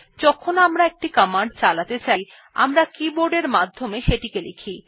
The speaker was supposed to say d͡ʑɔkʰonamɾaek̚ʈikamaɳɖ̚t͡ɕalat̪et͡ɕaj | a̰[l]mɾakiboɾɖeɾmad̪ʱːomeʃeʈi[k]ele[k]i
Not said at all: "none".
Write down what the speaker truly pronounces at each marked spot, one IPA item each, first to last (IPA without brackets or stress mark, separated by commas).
none, k, kʰ